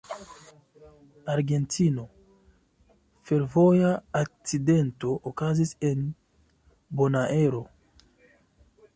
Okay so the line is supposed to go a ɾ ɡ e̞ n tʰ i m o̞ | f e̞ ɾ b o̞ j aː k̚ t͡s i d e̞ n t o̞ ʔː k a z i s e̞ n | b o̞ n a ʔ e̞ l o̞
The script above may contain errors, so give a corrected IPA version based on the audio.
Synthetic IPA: a ɾ ɡ e̞ n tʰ i n o̞ | f e̞ ɾ v o̞ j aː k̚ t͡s i d e̞ n t o̞ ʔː k a z i s e̞ n | b o̞ n a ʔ e̞ ɾ o̞